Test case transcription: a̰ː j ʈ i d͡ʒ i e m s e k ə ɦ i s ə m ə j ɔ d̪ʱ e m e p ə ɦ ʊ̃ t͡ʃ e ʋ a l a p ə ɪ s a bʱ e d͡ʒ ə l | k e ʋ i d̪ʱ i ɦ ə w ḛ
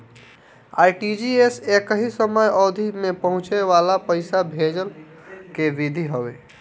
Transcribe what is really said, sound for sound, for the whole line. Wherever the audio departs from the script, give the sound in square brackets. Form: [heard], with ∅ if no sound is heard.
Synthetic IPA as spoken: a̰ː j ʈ i d͡ʒ i e [∅] s e k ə ɦ i s ə m ə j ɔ d̪ʱ [i] m e p ə ɦ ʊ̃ t͡ʃ e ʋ a l a p ə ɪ s a bʱ e d͡ʒ ə l | k e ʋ i d̪ʱ i ɦ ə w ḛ